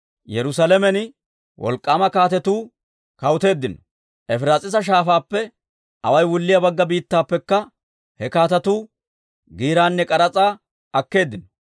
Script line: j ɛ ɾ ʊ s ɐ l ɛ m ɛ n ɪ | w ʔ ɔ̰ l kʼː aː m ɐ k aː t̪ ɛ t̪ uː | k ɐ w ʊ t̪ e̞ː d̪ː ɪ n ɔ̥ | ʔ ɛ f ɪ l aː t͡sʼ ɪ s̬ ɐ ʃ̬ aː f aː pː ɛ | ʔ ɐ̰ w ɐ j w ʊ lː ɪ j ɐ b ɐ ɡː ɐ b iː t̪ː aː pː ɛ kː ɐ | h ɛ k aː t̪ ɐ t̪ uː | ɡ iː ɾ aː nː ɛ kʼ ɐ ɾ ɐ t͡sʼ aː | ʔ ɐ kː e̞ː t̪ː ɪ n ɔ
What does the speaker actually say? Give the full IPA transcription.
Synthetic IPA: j ɛ ɾ ʊ s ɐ l ɛ m ɛ n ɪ | w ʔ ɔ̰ l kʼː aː m ɐ k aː t̪ ɛ t̪ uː | k ɐ w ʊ t̪ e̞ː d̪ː ɪ n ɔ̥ | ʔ ɛ f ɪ ɾ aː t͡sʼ ɪ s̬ ɐ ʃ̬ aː f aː pː ɛ | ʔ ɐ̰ w ɐ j w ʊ lː ɪ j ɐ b ɐ ɡː ɐ b iː t̪ː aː pː ɛ kː ɐ | h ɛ k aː t̪ ɐ t̪ uː | ɡ iː ɾ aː nː ɛ kʼ ɐ ɾ ɐ t͡sʼ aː | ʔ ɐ kː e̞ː d̪ː ɪ n ɔ